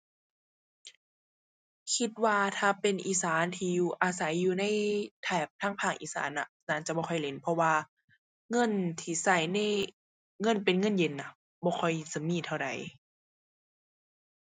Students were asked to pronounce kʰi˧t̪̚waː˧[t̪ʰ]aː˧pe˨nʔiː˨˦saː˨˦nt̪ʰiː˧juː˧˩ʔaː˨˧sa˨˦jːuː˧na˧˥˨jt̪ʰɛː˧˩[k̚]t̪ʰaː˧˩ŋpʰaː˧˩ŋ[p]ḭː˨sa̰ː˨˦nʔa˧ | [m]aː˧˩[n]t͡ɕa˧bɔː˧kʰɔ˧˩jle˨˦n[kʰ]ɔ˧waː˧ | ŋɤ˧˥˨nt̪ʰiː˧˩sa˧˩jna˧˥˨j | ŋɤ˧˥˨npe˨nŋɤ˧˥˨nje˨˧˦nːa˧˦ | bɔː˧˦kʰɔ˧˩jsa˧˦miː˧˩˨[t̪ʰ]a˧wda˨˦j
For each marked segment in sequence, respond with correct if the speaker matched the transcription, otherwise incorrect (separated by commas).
correct, incorrect, incorrect, incorrect, correct, incorrect, correct